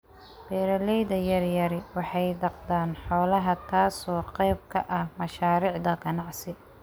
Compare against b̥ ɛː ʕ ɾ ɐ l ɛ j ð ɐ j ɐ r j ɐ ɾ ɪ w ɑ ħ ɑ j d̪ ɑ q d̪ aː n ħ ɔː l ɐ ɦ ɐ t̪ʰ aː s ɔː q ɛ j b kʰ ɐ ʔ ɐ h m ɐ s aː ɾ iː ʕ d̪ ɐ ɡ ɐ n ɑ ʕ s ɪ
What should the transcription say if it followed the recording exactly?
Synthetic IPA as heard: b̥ ɛː ɾ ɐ l ɛ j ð ɐ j ɐ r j ɐ ɾ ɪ w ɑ ħ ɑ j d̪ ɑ q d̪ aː n ħ ɔː l ɐ ɦ ɐ t̪ʰ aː s ɔː q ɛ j b kʰ ɐ ʔ ɐ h m ɐ ʃ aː ɾ iː ʕ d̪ ɐ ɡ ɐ n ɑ ʕ s ɪ